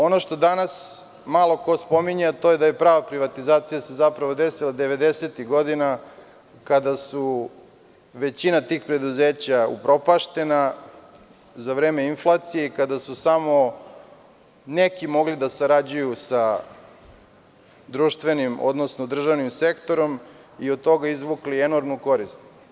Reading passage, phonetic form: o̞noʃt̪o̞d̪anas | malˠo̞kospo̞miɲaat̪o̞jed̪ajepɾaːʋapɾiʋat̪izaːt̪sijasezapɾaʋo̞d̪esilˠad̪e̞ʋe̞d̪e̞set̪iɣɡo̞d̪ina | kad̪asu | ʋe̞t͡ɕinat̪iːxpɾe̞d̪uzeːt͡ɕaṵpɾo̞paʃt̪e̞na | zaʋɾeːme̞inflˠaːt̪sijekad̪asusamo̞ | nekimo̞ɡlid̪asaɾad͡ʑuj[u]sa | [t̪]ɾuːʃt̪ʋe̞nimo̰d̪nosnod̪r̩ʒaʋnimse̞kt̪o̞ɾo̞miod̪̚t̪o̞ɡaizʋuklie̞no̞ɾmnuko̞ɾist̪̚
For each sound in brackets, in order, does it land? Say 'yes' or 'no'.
yes, no

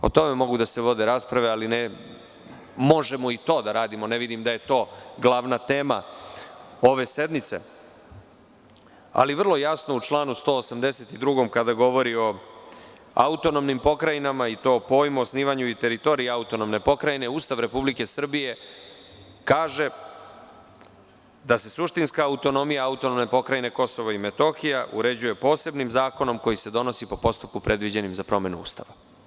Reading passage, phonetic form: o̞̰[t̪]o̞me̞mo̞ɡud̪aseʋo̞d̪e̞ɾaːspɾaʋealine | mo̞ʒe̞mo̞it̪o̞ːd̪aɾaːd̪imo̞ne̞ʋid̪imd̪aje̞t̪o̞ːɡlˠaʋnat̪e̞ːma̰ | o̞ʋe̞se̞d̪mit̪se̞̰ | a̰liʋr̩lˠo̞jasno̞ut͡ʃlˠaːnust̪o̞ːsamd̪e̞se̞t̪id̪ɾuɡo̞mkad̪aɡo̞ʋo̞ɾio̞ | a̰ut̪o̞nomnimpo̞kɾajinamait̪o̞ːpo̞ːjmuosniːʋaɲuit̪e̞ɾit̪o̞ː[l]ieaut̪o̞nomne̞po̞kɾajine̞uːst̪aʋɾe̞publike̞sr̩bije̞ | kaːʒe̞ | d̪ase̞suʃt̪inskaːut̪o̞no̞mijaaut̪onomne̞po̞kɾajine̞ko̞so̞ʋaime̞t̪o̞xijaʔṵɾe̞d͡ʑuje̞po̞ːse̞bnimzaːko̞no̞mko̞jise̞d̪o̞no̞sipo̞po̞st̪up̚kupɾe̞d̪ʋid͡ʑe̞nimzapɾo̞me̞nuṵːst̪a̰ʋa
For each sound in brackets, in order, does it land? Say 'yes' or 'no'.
yes, no

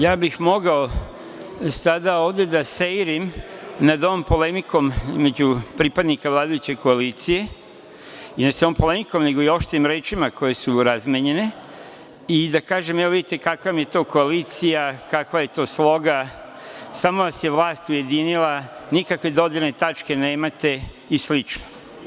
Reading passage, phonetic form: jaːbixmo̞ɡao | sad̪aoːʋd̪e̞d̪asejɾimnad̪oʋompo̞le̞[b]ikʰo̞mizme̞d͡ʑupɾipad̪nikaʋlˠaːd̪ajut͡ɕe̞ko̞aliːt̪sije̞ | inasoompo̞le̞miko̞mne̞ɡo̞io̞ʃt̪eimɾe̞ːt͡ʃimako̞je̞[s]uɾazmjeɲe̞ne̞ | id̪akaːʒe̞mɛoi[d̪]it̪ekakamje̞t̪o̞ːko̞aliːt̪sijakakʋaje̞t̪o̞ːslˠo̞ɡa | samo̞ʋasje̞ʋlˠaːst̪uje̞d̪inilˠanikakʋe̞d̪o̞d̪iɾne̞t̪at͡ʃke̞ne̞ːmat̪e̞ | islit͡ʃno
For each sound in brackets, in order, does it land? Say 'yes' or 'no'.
no, yes, yes

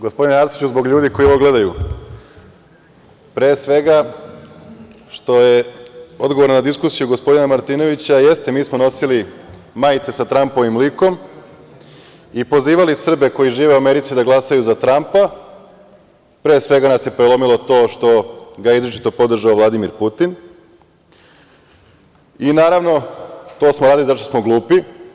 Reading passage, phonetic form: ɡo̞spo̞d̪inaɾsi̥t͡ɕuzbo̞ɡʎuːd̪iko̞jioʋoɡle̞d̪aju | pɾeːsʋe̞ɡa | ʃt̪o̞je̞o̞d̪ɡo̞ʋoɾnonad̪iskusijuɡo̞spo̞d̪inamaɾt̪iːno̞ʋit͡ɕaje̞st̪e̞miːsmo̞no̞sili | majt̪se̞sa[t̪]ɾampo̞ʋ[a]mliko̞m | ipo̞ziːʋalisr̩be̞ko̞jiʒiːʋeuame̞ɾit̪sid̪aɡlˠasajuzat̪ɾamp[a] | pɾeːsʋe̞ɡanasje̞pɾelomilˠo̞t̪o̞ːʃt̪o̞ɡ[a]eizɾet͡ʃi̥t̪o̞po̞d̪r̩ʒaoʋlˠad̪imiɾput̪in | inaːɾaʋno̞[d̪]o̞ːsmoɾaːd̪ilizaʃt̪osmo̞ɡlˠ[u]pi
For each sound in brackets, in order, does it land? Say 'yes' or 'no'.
yes, no, yes, yes, no, no

